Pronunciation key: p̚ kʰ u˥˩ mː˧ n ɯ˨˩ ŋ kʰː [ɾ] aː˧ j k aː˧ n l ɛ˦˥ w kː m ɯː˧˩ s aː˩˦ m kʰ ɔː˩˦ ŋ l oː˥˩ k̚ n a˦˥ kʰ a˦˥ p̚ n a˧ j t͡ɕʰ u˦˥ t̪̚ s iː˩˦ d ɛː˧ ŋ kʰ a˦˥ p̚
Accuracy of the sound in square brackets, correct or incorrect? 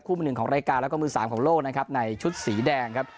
correct